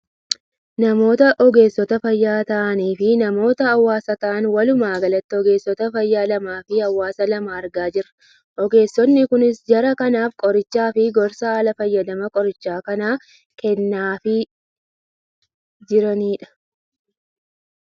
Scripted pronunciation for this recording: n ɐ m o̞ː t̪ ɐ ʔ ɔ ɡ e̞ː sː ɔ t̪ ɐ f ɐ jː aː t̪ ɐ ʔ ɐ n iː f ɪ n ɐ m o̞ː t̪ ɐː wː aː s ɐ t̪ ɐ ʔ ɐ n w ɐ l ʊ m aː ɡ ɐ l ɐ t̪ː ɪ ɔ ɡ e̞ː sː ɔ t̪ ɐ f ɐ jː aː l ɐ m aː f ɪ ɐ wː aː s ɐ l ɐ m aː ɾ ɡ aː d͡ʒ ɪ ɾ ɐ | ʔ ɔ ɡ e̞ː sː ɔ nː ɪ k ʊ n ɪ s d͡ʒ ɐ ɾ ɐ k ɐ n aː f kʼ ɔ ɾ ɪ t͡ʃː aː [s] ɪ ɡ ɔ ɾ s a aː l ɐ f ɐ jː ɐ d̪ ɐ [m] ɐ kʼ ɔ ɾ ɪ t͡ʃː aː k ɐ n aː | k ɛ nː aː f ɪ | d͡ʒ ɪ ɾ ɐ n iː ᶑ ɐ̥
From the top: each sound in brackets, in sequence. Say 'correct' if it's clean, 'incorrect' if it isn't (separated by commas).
incorrect, correct